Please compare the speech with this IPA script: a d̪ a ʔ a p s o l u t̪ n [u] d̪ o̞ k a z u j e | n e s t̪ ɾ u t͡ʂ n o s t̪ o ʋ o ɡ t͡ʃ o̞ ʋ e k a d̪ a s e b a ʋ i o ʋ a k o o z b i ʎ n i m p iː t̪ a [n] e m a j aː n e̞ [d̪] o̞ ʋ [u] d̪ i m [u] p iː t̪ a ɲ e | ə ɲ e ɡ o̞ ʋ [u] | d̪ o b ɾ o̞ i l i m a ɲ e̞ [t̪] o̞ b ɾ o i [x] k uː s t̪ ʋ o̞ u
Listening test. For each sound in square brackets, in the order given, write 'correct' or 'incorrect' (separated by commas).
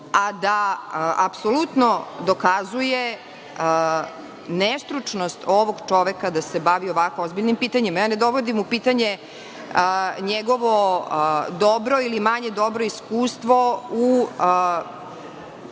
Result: incorrect, incorrect, correct, incorrect, correct, incorrect, incorrect, incorrect